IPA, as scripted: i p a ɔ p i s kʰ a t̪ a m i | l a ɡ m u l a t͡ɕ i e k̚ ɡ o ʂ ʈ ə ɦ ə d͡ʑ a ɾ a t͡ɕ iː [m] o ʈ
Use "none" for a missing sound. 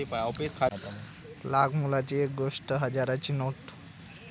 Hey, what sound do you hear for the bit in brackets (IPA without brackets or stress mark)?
n